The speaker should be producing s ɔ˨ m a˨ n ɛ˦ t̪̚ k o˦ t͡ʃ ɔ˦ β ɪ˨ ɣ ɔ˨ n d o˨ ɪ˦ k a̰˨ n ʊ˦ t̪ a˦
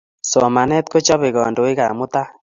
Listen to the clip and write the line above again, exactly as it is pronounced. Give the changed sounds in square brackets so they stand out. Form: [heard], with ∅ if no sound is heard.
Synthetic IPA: s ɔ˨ m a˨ n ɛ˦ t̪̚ k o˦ t͡ʃ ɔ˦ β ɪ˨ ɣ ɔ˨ n d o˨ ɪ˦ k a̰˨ [m] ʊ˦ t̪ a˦